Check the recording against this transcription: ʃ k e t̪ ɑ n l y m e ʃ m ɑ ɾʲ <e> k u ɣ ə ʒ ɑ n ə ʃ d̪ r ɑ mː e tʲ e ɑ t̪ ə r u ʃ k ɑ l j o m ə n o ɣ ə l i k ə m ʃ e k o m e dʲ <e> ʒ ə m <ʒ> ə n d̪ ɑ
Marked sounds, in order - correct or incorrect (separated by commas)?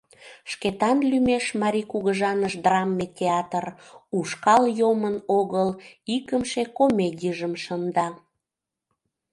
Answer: incorrect, incorrect, incorrect